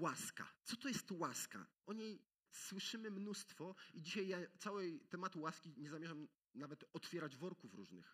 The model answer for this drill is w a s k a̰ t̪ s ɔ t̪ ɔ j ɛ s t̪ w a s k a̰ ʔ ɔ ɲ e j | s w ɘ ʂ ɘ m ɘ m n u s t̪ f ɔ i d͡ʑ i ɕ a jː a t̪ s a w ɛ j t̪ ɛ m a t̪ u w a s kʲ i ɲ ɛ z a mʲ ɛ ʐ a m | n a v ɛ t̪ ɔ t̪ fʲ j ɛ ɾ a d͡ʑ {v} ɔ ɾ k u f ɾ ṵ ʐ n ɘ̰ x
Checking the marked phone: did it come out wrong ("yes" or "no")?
no